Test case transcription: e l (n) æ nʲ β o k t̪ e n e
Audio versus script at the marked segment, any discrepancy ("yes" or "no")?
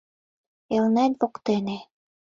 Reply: no